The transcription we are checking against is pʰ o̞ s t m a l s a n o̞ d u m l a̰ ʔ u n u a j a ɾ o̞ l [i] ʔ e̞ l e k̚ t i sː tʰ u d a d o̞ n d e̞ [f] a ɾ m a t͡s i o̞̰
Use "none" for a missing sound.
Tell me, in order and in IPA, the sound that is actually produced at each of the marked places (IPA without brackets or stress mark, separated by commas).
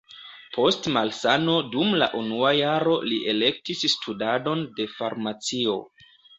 i, f